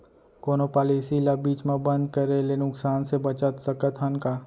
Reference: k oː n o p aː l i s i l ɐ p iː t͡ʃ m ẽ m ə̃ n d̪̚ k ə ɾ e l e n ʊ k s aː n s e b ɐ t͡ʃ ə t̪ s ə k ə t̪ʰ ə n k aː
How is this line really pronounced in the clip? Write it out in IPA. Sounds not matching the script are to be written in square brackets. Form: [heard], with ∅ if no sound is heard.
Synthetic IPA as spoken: k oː n o p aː l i s i l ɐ [b] iː t͡ʃ m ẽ [b] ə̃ n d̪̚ k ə ɾ e l e n ʊ k s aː n s e b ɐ t͡ʃ ə t̪ s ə k ə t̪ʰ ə n k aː